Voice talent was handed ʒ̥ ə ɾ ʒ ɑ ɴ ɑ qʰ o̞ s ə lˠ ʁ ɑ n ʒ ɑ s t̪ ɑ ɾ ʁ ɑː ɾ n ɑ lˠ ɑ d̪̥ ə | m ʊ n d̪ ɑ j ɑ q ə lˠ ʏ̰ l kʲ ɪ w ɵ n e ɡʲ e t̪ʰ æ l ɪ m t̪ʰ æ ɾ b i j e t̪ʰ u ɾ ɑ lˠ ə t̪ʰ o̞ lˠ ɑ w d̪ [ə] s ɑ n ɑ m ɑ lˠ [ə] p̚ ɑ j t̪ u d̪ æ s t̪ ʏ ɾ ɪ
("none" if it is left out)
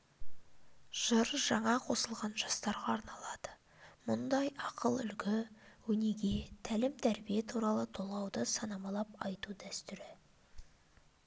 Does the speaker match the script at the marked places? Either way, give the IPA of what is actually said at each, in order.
ə, ɑ

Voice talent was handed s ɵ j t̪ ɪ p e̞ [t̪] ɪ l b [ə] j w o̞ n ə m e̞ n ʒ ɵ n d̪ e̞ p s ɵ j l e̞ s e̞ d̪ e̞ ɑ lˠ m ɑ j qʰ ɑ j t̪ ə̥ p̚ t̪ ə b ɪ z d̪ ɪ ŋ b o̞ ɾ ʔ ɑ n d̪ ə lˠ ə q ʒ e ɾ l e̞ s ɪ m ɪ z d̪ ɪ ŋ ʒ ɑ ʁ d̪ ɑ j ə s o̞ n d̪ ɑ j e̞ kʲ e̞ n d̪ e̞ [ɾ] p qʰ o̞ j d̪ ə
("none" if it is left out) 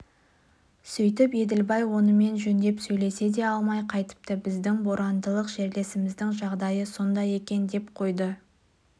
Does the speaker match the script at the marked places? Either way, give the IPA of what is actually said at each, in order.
d̪, ɑ, none

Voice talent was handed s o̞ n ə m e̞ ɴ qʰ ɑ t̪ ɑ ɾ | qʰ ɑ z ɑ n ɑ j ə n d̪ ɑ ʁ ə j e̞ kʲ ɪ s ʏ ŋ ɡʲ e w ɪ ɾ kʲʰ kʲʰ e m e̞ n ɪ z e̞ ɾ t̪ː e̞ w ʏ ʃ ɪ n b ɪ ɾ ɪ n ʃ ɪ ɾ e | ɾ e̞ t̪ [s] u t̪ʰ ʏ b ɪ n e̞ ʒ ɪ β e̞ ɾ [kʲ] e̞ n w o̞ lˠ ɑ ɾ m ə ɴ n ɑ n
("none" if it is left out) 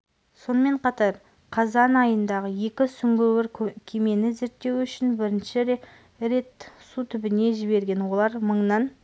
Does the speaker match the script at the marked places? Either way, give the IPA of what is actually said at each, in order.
s, ɡʲ

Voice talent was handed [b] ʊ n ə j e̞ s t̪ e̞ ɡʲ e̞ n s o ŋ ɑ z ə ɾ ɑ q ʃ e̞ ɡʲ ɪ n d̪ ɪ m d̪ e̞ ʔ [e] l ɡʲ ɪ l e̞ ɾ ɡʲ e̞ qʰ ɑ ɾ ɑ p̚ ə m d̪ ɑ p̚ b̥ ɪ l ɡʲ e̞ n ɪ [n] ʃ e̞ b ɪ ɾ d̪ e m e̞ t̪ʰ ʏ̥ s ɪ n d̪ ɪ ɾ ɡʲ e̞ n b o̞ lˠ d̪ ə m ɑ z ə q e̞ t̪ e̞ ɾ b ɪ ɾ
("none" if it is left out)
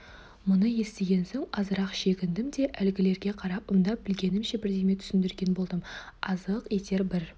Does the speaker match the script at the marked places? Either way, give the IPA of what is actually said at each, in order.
m, æ, m

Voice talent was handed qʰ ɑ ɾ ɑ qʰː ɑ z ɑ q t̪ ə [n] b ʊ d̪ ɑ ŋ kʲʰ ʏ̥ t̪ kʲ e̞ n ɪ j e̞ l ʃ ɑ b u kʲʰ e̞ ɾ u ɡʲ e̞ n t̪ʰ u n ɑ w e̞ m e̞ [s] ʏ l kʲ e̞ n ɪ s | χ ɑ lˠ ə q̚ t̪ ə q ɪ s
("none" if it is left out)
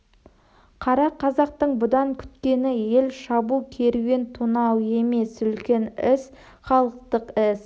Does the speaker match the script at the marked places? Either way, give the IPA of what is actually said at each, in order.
ɴ, s

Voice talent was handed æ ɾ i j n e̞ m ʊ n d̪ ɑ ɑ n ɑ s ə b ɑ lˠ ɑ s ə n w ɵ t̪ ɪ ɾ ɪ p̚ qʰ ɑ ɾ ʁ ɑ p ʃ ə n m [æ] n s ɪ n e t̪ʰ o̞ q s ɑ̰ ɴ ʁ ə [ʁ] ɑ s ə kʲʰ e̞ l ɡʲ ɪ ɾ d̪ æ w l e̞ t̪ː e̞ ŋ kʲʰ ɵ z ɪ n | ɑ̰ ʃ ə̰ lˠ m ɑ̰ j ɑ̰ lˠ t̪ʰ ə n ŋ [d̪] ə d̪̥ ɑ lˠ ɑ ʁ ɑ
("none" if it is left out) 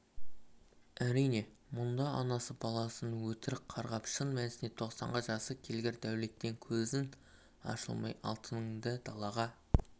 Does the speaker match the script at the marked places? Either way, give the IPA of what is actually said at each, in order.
æ, ʒ, d̪

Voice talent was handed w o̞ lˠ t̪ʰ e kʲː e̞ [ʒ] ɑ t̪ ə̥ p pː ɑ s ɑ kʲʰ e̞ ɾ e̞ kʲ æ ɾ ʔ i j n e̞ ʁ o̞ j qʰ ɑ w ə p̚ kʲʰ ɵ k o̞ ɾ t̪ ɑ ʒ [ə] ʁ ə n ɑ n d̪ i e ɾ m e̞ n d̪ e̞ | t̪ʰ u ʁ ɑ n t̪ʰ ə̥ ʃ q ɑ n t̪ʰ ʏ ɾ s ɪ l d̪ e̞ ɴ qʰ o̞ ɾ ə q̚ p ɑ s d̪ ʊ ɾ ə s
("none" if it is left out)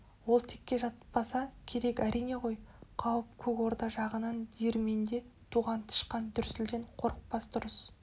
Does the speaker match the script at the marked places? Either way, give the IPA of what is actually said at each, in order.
ʒ, ɑ

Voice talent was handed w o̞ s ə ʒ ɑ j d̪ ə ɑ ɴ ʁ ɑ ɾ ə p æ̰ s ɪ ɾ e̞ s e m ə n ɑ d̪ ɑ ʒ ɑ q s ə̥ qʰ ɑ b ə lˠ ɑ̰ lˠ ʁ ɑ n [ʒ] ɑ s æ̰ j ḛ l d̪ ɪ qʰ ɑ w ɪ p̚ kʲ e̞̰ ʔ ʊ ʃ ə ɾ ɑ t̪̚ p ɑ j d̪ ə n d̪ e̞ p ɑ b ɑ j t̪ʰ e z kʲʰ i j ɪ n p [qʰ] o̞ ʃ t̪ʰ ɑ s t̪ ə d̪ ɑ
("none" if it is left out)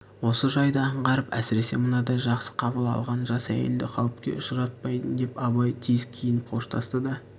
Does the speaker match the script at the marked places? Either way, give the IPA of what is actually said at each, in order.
ʒ, qʰ

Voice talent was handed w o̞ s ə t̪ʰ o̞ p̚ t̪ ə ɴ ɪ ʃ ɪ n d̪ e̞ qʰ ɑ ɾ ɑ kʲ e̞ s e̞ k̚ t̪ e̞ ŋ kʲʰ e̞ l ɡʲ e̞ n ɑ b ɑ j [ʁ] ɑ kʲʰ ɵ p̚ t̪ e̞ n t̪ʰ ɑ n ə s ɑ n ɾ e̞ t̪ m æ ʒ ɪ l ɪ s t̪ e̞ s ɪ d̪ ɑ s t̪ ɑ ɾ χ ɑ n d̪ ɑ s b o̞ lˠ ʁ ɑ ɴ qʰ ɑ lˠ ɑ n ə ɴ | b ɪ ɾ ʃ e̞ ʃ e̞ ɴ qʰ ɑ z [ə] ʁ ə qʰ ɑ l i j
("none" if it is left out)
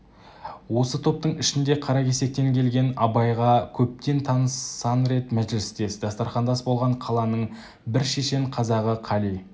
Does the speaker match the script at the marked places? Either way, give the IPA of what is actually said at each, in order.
ʁ, ɑ

